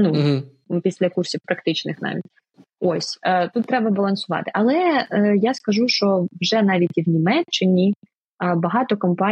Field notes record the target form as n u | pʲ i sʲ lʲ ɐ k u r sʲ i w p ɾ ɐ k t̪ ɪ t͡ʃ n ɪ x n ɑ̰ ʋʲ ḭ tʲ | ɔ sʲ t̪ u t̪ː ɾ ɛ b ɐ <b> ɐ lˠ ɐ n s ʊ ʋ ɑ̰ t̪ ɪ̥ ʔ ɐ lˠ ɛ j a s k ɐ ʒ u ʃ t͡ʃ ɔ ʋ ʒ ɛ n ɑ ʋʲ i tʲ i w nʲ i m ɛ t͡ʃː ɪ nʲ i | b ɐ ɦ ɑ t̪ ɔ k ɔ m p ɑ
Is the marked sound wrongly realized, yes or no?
no